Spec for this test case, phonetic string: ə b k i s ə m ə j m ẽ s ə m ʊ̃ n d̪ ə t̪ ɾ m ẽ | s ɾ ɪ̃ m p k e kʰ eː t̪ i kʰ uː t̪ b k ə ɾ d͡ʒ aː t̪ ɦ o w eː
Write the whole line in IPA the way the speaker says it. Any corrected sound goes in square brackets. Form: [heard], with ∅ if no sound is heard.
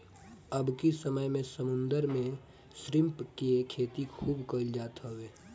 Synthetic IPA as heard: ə b k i s ə m ə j m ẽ s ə m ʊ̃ n d̪ ə [∅] ɾ m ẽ | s ɾ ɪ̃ m p k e kʰ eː t̪ i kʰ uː [∅] b k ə [l] d͡ʒ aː t̪ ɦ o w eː